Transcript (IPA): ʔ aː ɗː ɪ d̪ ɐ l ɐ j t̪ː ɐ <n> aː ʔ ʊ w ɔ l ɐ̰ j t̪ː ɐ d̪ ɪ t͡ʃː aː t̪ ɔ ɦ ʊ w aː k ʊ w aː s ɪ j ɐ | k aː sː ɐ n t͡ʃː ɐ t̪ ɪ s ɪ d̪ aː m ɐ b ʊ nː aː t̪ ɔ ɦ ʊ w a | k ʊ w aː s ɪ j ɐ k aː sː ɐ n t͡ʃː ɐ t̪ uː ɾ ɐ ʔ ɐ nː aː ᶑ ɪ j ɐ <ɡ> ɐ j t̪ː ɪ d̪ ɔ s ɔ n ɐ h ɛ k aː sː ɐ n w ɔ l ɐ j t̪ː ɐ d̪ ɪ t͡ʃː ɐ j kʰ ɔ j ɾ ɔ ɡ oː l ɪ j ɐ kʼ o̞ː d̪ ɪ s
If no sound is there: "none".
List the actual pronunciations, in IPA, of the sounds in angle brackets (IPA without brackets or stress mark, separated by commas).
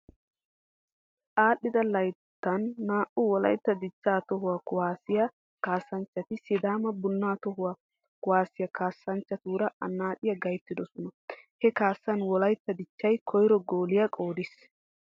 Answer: nː, ɡ